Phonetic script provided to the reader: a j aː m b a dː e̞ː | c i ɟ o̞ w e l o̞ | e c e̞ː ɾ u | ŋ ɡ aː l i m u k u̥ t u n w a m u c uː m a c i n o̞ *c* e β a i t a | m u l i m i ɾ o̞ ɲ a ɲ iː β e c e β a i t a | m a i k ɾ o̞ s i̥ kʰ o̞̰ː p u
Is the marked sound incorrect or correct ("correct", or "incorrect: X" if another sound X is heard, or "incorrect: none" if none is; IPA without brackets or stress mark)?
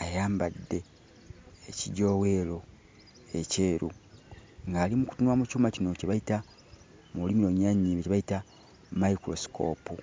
correct